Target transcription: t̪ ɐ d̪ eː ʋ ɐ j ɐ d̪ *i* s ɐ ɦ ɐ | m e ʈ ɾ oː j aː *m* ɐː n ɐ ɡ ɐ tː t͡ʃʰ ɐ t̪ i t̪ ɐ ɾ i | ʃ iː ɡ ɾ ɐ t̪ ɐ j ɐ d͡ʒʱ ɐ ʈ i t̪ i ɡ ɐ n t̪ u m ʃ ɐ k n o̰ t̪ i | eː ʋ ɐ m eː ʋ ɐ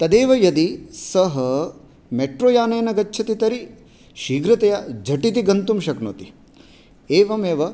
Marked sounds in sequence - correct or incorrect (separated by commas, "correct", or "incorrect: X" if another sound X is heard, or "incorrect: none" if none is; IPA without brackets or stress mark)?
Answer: correct, incorrect: n